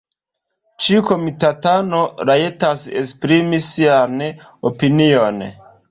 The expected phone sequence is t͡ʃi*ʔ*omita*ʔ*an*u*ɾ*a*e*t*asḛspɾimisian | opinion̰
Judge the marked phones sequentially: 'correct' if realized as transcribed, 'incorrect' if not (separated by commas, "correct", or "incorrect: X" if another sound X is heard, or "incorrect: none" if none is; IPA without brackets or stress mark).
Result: incorrect: k, incorrect: t, incorrect: o, correct, correct